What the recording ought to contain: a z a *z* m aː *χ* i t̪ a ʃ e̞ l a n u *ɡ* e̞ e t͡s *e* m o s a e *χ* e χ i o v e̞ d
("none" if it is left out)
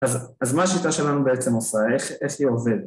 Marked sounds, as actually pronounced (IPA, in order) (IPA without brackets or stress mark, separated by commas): z, ʃ, b, e, χ